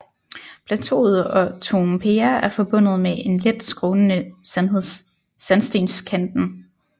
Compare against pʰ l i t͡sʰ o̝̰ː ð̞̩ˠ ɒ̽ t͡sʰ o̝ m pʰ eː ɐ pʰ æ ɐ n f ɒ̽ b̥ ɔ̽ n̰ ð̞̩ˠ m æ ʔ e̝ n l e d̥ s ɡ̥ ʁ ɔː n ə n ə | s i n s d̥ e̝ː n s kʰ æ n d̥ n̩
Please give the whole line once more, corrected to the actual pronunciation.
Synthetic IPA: pʰ l æ t͡sʰ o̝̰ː ð̞̩ˠ ɒ̽ t͡sʰ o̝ m pʰ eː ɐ æ ɐ f ɒ̽ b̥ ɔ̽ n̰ ð̞̩ˠ m e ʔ e̝ n l e d̥ s ɡ̥ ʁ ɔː n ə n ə | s æ n s d̥ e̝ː n s kʰ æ n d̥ n̩

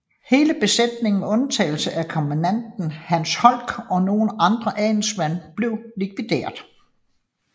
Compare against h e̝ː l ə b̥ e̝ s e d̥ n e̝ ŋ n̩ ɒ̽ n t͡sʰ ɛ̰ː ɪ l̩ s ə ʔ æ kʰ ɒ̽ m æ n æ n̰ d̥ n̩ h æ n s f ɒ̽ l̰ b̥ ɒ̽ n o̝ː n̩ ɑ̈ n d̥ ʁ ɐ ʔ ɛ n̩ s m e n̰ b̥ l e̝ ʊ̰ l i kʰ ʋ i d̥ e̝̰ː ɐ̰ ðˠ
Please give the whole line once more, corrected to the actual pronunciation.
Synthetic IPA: h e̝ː l ə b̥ e̝ s e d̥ n e̝ ŋ n̩ ɔ̽ n t͡sʰ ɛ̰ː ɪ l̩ s ə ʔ æ kʰ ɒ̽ m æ n æ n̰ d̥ n̩ h æ n s h ɒ̽ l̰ ɡ̥ ɒ̽ n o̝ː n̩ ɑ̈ n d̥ ʁ ɐ ʔ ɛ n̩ s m æ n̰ b̥ l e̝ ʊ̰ l i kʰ ʋ i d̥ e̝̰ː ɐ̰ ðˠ

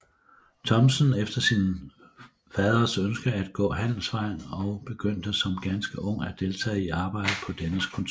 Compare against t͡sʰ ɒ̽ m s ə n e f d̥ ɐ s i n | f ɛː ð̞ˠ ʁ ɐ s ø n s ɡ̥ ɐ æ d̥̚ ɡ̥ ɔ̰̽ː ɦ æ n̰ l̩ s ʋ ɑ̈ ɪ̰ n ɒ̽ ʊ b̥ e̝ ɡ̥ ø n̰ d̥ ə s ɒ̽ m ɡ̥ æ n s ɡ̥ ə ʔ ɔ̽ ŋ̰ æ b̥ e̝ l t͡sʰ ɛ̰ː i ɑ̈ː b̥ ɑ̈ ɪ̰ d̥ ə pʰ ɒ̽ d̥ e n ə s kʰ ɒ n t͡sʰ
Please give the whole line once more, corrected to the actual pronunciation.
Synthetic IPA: t͡sʰ ɒ̽ m s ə n e f d̥ ɐ s i n | f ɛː ð̞ˠ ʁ ɐ s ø n s ɡ̥ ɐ æ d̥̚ ɡ̥ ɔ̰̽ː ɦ æ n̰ l̩ s ʋ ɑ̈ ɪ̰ n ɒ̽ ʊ b̥ e̝ ɡ̥ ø n̰ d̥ ə s ɒ̽ m ɡ̥ æ n s ɡ̥ ə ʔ ɔ̽ ŋ̰ æ d̥ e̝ l t͡sʰ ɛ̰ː i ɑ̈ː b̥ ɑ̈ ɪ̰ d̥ ə pʰ ɒ̽ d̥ e n ə s kʰ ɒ n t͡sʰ

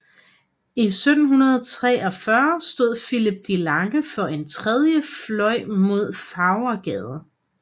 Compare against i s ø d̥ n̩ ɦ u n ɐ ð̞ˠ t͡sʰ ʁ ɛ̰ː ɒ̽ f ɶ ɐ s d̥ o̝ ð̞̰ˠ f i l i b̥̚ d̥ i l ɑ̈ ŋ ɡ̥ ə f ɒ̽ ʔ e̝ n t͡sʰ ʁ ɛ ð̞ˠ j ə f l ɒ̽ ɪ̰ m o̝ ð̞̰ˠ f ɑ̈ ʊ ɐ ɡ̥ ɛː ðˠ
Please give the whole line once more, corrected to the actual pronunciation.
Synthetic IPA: i s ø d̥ n̩ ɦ u n ɐ ð̞ˠ t͡sʰ ʁ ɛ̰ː ɒ̽ f ɶ ɐ s d̥ o̝ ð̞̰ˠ f i l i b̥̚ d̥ i l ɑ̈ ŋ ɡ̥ ə f ɒ̽ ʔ e̝ n t͡sʰ ʁ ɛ ð̞ˠ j ə f l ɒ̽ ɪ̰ m o̝ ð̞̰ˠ f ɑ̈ ʊ ɐ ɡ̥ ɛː ðˠ

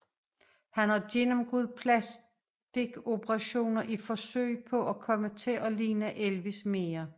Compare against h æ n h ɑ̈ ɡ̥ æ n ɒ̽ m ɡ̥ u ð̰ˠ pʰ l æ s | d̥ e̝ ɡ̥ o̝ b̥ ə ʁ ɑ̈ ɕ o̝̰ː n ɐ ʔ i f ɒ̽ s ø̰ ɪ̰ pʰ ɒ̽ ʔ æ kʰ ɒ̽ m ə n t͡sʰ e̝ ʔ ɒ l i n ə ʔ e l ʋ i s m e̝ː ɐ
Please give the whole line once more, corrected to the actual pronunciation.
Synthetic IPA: h æ n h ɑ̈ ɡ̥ e n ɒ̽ m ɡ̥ u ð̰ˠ pʰ l æ s | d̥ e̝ ɡ̥ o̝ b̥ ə ʁ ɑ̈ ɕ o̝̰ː n ɐ ʔ i f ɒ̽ s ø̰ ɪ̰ pʰ ɒ̽ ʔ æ kʰ ɒ̽ m ə t͡sʰ e̝ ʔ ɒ l iː n ə ʔ e l ʋ i s m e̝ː ɐ

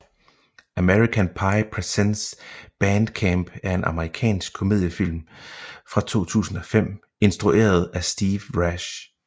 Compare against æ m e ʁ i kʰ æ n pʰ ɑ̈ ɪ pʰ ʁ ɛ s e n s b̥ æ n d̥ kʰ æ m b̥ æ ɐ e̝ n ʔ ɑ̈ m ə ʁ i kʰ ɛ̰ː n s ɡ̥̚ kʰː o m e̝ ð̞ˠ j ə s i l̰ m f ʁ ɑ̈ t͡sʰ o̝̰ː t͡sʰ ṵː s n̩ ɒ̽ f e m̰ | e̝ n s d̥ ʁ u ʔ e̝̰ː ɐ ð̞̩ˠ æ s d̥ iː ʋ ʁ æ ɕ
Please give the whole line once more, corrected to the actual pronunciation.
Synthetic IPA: æ m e ʁ i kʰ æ n pʰ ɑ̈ ɪ pʰ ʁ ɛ s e n s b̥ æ n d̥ kʰ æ m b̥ æ ɐ e̝ n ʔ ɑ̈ m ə ʁ i kʰ ɛ̰ː n s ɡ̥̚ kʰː o m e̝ ð̞ˠ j ə f i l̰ m f ʁ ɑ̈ t͡sʰ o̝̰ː t͡sʰ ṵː s n̩ ɒ̽ f e m̰ | e̝ n s d̥ ʁ u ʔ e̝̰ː ɐ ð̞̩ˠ æ s d̥ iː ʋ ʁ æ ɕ

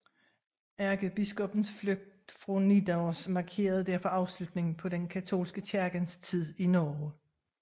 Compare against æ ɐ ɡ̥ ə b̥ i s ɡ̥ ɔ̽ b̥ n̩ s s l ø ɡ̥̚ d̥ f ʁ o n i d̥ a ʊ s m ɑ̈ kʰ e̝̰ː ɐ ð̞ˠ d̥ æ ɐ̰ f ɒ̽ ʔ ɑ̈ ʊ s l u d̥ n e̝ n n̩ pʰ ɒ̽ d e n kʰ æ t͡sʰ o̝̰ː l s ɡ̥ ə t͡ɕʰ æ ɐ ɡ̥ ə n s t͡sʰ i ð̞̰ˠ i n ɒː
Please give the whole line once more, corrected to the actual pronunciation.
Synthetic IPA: æ ɐ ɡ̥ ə b̥ i s ɡ̥ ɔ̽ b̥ n̩ s f l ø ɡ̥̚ d̥ f ʁ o n i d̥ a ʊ s m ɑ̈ kʰ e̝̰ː ɐ ð̞ˠ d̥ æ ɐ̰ f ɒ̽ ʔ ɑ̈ ʊ s l u d̥ n e̝ ŋ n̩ pʰ ɒ̽ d e n kʰ æ t͡sʰ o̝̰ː l s ɡ̥ ə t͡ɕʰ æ ɐ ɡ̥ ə n s t͡sʰ i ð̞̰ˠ i n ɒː

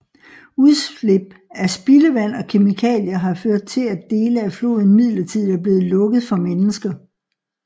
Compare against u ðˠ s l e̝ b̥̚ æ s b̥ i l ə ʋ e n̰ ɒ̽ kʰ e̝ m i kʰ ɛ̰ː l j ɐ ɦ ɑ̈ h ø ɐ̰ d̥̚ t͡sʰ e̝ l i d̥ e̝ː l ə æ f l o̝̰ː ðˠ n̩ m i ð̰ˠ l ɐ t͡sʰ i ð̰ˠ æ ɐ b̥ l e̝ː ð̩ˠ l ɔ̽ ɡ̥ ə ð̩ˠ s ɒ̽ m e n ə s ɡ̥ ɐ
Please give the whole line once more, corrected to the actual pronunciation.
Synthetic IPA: u ðˠ s l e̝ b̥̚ æ s b̥ i l ə ʋ æ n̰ ɒ̽ kʰ e̝ m i kʰ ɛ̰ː l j ɐ ɦ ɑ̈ f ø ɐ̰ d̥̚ t͡sʰ e̝ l æ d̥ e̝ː l ə æ f l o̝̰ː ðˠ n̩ m i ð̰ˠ l ɐ t͡sʰ i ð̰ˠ æ ɐ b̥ l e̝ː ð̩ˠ l ɔ̽ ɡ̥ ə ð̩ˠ f ɒ̽ m e n ə s ɡ̥ ɐ

